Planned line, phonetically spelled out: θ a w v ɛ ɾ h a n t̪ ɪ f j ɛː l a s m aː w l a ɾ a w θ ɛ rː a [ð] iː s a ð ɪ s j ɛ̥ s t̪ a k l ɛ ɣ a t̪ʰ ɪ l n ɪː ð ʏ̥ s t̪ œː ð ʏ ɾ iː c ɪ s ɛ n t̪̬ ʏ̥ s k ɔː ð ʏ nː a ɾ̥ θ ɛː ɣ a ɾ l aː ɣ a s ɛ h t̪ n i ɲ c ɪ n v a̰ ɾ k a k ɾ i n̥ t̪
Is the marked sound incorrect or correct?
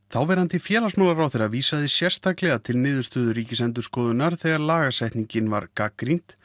incorrect